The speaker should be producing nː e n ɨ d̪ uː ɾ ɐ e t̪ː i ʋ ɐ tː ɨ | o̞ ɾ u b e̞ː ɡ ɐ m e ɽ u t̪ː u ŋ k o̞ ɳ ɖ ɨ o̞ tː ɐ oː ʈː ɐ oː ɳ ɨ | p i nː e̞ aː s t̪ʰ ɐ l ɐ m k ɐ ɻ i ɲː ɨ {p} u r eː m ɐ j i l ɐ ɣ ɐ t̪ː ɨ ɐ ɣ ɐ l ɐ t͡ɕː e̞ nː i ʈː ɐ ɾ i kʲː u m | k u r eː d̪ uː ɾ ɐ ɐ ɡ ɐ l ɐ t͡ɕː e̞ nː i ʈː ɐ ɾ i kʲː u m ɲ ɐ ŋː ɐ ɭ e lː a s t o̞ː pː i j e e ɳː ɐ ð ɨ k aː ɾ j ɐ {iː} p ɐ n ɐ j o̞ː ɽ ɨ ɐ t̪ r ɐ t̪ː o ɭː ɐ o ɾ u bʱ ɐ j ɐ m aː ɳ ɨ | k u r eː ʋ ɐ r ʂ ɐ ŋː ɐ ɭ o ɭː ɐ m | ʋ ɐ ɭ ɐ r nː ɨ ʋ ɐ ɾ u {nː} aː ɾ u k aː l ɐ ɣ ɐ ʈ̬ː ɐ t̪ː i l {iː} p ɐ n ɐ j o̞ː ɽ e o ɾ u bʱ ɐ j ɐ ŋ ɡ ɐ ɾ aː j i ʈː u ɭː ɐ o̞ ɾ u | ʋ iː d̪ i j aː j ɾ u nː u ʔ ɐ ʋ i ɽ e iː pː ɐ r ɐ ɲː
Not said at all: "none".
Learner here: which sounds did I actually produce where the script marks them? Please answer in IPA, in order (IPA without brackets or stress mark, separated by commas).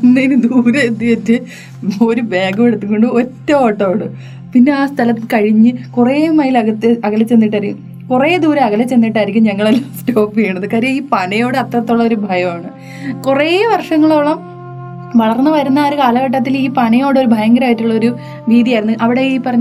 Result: k, iː, nː, iː